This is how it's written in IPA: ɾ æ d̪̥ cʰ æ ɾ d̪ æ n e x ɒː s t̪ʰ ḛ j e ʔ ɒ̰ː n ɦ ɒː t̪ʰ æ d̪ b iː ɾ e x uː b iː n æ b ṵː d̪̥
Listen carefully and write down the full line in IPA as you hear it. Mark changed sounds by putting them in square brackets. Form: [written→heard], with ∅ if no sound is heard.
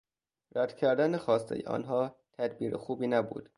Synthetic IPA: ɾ æ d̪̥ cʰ æ ɾ d̪ æ n e x ɒː s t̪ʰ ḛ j e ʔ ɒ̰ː n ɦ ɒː t̪ʰ æ d̪ b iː ɾ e x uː b iː n æ b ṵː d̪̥